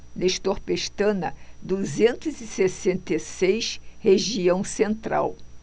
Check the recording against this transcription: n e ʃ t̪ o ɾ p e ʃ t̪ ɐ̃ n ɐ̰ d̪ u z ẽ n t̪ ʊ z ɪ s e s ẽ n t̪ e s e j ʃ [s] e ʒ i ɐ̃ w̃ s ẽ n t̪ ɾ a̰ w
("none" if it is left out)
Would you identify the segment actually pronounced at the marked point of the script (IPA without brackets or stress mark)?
h